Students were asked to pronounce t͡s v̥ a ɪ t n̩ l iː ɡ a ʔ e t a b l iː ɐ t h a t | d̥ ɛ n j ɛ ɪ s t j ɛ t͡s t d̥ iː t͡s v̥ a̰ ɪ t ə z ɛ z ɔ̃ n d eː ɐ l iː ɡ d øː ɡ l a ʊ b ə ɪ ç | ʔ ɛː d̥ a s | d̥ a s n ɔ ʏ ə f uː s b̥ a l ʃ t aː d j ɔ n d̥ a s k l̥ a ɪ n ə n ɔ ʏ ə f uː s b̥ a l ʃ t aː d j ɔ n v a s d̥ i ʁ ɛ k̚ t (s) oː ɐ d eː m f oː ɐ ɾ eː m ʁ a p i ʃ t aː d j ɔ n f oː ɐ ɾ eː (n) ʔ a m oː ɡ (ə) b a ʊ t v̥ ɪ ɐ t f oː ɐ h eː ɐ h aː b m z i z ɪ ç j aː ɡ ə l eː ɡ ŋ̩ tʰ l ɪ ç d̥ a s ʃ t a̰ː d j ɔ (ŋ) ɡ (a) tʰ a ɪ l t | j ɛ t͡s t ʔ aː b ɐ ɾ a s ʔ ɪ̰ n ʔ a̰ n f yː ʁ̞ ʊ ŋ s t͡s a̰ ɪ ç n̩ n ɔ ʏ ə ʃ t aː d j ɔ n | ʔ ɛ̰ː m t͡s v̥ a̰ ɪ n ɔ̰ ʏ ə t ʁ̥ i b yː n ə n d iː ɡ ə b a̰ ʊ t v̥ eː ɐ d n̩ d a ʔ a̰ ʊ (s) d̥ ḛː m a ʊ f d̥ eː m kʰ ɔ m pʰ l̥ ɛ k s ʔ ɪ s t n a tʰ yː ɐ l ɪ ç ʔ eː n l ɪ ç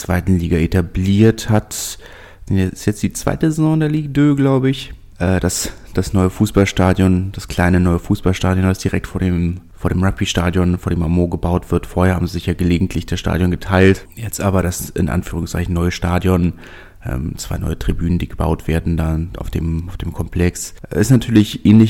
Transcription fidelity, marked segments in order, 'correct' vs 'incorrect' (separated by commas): incorrect, incorrect, correct, incorrect, incorrect, incorrect